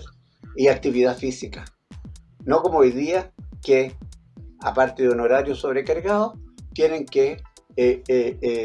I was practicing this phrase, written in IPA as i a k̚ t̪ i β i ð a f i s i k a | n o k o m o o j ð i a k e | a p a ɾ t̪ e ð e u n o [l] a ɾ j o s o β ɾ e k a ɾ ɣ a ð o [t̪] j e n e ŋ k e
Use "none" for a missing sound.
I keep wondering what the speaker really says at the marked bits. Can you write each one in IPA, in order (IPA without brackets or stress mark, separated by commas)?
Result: ɾ, t̪